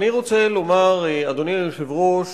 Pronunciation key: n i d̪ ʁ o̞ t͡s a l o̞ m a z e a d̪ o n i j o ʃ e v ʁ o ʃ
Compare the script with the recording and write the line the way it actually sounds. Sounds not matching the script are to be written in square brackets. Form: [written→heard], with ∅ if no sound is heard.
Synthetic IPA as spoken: n i [d̪→∅] ʁ o̞ t͡s [a→e] l o̞ m a [z→ʁ] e a d̪ o n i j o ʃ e v ʁ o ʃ

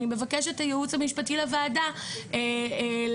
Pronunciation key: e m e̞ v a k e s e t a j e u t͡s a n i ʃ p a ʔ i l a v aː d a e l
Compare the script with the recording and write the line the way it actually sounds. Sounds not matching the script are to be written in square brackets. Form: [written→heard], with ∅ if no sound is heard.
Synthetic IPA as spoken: [e→i] m e̞ v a k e [s→ʃ] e t a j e u t͡s a [n→m] i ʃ p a [ʔ→t] i l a v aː d a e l

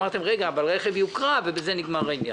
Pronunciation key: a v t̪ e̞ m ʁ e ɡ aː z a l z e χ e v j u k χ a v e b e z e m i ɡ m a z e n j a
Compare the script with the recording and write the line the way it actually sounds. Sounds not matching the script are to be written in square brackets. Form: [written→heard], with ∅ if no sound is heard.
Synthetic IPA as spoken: a [v→ʁ] t̪ e̞ m ʁ e ɡ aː [z→v] a l [z→ʁ] e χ e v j u k [χ→ʁ] a v e b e z e [m→n] i ɡ m a [z→ʁ] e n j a

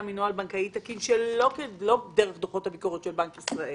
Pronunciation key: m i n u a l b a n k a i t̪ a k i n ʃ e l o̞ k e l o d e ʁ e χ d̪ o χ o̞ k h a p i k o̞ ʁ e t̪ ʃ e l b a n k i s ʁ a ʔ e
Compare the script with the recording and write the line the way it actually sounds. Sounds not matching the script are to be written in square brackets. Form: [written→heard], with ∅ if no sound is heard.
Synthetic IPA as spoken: m i n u a l b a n k a i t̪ a k i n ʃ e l o̞ k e l o d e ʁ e χ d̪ o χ o̞ [k→t] h a [p→b] i k o̞ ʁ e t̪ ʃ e l b a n k i s ʁ a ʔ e

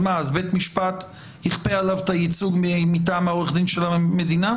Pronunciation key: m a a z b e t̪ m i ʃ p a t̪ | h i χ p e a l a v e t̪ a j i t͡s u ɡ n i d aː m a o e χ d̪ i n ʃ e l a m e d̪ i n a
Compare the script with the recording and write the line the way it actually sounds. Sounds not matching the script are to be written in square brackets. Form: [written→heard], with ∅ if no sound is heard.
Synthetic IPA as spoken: m a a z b e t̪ m i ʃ p a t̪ | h i χ p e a l a v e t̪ a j i t͡s u ɡ [n→m] i [d→t] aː m a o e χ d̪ i n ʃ e l a m e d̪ i n a

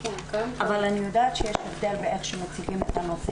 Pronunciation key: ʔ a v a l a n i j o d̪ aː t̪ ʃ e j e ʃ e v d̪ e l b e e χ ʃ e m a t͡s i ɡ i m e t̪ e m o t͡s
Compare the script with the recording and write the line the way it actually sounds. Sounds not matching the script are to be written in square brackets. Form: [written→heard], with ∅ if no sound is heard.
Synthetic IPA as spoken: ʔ a v a l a n i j o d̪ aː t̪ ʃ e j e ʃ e v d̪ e l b e e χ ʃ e m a t͡s i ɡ i m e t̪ [e→a] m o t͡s

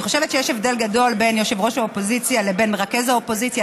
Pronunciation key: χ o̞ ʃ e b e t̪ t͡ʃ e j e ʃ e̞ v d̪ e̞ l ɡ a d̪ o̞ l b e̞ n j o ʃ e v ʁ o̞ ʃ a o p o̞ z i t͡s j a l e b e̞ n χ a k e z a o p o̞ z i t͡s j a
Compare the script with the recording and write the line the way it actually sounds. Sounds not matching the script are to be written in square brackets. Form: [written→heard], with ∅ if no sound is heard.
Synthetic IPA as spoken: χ o̞ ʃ e [b→v] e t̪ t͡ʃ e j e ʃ e̞ v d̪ e̞ l ɡ a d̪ o̞ l b e̞ n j o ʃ e v ʁ o̞ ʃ a o p o̞ z i t͡s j a l e b e̞ n [χ→ʁ] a k e z a o p o̞ z i t͡s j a

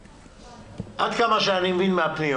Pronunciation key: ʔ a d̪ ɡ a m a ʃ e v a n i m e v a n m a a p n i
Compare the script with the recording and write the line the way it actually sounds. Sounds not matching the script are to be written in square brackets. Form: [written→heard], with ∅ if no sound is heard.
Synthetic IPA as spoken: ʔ a d̪ [ɡ→k] a m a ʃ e [v→∅] a n i m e v [a→i] n m [a→e] a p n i

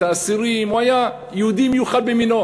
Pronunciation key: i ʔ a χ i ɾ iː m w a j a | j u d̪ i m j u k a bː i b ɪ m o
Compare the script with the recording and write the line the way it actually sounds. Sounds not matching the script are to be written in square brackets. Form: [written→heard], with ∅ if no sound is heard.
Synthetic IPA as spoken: [i→a] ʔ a [χ→s] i ɾ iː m w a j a | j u d̪ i m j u [k→x] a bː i [b→m] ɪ [m→n] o

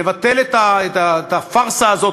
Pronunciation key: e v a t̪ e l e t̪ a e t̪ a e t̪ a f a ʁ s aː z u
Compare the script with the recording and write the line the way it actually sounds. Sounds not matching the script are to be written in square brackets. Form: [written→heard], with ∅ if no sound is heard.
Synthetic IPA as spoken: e v a t̪ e l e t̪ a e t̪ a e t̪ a f a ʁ s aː z [u→o]

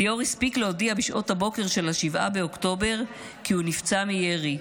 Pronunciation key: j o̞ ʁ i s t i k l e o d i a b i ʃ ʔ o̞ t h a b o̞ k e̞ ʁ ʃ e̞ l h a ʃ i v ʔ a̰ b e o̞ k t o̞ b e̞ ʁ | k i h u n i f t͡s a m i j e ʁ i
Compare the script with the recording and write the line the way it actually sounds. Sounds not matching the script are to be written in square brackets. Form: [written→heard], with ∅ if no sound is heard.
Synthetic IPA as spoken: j o̞ ʁ i s [t→p] i k l e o d i a b i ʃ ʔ o̞ t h a b o̞ k e̞ ʁ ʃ e̞ l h a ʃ i v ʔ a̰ b e o̞ k t o̞ b e̞ ʁ | k i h u n i f t͡s a m i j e ʁ i

